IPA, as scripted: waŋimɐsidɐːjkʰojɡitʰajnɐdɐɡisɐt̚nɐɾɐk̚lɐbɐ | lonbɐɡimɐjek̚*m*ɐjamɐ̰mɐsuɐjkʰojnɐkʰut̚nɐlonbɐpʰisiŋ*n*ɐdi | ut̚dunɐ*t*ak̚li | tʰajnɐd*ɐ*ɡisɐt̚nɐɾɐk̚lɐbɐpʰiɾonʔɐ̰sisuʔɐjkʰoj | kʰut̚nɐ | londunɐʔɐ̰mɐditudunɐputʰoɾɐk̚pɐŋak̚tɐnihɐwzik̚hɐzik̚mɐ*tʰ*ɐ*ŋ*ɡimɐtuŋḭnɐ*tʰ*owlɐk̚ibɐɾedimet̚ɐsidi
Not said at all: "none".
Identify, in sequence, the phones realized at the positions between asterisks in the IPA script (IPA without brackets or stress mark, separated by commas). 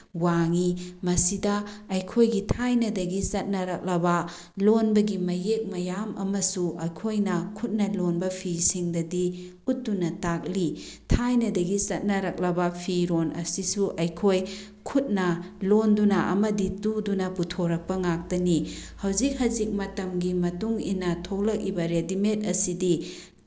m, d, t, ɐ, t, m, tʰ